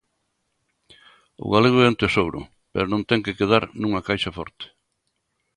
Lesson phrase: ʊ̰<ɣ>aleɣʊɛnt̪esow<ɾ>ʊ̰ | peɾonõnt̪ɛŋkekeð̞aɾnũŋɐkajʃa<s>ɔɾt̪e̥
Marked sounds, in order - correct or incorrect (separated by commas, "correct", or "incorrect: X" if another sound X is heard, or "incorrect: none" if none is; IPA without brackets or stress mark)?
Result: correct, correct, incorrect: f